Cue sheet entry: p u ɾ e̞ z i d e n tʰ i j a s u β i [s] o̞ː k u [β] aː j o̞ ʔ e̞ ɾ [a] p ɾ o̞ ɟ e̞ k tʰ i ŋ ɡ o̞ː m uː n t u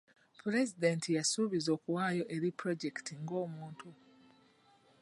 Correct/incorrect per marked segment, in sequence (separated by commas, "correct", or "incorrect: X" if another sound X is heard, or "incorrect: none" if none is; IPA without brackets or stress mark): incorrect: z, incorrect: w, incorrect: i